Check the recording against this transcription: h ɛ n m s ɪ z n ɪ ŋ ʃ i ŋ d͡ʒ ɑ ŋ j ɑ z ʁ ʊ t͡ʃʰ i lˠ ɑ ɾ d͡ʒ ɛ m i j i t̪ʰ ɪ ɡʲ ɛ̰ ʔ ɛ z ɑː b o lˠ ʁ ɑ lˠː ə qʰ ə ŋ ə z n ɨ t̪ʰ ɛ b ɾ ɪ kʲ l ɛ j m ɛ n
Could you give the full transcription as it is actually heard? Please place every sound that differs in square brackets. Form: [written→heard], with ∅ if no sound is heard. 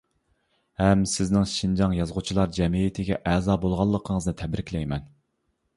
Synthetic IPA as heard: h ɛ [n→∅] m s ɪ z n ɪ ŋ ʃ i [ŋ→n] d͡ʒ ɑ ŋ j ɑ z ʁ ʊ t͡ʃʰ i lˠ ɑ ɾ d͡ʒ ɛ m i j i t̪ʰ ɪ ɡʲ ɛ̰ ʔ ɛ z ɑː b o lˠ ʁ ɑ lˠː ə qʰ ə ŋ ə z n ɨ t̪ʰ ɛ b ɾ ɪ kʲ l ɛ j m ɛ n